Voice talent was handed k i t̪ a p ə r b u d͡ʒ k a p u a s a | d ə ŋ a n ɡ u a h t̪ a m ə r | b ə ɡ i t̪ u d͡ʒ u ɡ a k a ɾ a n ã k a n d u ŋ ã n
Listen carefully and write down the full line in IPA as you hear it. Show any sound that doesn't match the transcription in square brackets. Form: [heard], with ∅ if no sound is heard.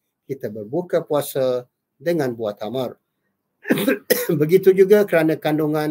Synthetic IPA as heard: k i t̪ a [b] ə r b u [∅] k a p u a s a | d ə ŋ a n [b] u a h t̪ a m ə r | b ə ɡ i t̪ u d͡ʒ u ɡ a k [ə] ɾ a n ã k a n d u ŋ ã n

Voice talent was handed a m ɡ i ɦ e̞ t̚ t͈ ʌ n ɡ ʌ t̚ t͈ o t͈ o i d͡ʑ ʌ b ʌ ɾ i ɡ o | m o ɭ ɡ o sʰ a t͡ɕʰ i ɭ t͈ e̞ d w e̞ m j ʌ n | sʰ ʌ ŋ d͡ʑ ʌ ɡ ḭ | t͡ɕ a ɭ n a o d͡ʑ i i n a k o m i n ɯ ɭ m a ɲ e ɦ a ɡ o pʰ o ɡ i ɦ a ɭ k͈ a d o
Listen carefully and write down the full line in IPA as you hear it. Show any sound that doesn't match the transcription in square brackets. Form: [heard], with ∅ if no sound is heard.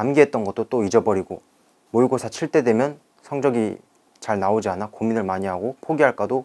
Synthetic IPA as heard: a m ɡ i ɦ e̞ t̚ t͈ ʌ n ɡ ʌ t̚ t͈ o t͈ o i d͡ʑ ʌ b ʌ ɾ i ɡ o | m o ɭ ɡ o sʰ a t͡ɕʰ i ɭ t͈ e̞ d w e̞ m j ʌ n | sʰ ʌ ŋ d͡ʑ ʌ ɡ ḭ | t͡ɕ a ɭ n a o d͡ʑ i [a] n a k o m i n ɯ ɭ m a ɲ [i] ɦ a ɡ o pʰ o ɡ i ɦ a ɭ k͈ a d o

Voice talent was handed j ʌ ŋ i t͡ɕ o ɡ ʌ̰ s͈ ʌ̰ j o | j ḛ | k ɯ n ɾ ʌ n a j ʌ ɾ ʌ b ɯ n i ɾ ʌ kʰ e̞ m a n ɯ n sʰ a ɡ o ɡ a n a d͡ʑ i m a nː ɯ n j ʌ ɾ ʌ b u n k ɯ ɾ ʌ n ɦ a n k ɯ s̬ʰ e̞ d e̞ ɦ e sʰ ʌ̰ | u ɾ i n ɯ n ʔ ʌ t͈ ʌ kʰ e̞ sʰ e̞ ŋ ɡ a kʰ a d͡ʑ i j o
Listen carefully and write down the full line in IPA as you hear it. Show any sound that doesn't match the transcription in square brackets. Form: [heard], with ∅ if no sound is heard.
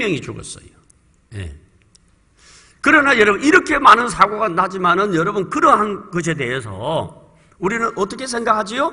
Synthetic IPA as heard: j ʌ ŋ i t͡ɕ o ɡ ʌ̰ s͈ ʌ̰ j o | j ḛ | k ɯ [∅] ɾ ʌ n a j ʌ ɾ ʌ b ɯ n i ɾ ʌ kʰ e̞ m a n ɯ n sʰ a ɡ o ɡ a n a d͡ʑ i m a [n] ɯ n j ʌ ɾ ʌ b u n k ɯ ɾ ʌ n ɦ a n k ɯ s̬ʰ e̞ d e̞ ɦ e sʰ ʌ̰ | u ɾ i n ɯ n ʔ ʌ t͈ ʌ kʰ e̞ sʰ e̞ ŋ ɡ a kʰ a d͡ʑ i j o

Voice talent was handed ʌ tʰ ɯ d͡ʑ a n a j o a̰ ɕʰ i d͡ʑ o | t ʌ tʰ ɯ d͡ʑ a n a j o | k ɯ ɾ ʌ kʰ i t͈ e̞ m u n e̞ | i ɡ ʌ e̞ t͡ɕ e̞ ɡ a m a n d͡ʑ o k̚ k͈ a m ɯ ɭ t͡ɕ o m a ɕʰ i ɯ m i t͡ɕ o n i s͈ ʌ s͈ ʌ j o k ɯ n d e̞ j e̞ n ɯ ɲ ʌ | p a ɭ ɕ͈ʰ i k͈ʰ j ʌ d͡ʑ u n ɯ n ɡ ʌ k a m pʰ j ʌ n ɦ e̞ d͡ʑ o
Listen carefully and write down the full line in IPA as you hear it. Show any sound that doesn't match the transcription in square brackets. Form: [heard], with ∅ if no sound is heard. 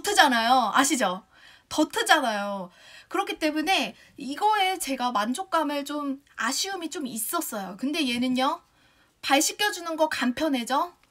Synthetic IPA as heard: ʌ tʰ ɯ d͡ʑ a n a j o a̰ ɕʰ i d͡ʑ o | t ʌ tʰ ɯ d͡ʑ a n a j o | k ɯ ɾ ʌ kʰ i t͈ e̞ m u n e̞ | i ɡ ʌ e̞ t͡ɕ e̞ ɡ a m a n d͡ʑ o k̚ k͈ a m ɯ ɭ t͡ɕ o m a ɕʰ i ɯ m i t͡ɕ o [m] i s͈ ʌ s͈ ʌ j o k ɯ n d e̞ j e̞ n ɯ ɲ ʌ | p a ɭ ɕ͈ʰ i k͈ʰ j ʌ d͡ʑ u n ɯ n ɡ ʌ k a m pʰ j ʌ n ɦ e̞ d͡ʑ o

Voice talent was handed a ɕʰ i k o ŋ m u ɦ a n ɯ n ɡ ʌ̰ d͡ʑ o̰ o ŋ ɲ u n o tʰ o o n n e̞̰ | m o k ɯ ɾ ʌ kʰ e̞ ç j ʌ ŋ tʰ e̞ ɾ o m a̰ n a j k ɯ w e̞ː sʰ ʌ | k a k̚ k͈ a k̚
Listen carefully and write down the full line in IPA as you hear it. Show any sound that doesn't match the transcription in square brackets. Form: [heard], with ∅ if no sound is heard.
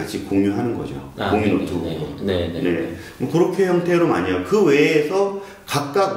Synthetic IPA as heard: a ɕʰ i k o ŋ [ɲ] u ɦ a n ɯ n ɡ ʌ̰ d͡ʑ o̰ o ŋ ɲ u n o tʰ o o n n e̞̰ | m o k ɯ ɾ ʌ kʰ e̞ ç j ʌ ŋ tʰ e̞ ɾ o m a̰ [ɲ] a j k ɯ w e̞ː sʰ ʌ | k a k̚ k͈ a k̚

